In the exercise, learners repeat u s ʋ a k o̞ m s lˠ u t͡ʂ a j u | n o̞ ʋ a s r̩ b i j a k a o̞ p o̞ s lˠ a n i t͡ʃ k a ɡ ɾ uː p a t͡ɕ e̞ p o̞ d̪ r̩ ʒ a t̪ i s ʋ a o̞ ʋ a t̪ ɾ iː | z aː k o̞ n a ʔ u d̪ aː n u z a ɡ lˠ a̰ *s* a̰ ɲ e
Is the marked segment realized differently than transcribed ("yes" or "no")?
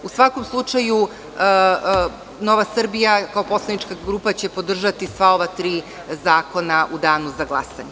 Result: no